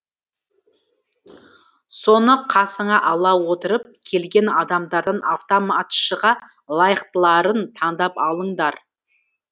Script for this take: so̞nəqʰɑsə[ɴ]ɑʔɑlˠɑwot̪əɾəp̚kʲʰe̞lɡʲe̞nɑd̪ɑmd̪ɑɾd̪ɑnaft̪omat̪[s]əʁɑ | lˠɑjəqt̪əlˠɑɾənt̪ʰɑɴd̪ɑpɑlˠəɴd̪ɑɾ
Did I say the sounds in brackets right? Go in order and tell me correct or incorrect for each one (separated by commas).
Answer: correct, incorrect